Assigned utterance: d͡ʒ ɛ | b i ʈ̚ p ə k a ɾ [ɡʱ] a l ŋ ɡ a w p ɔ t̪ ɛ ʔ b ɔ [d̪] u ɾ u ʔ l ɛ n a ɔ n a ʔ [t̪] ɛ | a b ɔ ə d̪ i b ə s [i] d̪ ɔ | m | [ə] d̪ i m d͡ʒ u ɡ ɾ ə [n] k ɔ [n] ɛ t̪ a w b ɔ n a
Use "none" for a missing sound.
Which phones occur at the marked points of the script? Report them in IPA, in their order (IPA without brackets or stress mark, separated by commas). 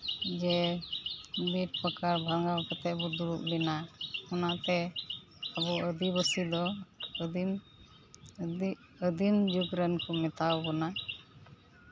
bʱ, d̪, t̪, i, ə, n, m